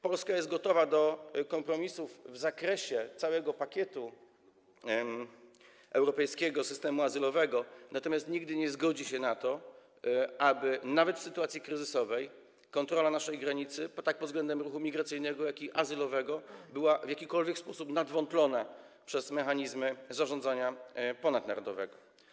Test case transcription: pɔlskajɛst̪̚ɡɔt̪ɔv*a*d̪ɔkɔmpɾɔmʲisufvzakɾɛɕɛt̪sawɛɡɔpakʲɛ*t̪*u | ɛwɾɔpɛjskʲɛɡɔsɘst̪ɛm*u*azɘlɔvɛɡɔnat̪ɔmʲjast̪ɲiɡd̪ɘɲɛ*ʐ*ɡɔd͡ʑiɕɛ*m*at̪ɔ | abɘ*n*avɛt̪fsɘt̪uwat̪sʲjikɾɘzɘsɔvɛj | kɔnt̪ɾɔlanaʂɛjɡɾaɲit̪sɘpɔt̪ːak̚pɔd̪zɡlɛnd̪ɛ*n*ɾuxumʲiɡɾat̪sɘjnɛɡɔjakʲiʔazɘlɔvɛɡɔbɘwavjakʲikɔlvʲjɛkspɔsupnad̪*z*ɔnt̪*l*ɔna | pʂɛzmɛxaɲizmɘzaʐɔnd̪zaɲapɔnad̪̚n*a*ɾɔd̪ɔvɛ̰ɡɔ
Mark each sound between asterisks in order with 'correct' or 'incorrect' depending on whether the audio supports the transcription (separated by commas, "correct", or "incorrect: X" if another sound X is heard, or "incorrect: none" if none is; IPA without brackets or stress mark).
correct, correct, correct, incorrect: z, incorrect: n, correct, incorrect: m, incorrect: v, correct, correct